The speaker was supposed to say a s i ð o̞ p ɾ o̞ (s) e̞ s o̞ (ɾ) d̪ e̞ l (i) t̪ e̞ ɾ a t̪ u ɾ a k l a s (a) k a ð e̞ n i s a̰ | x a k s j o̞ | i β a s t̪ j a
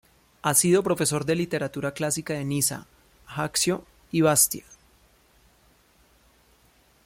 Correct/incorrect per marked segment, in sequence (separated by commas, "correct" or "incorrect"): incorrect, correct, correct, incorrect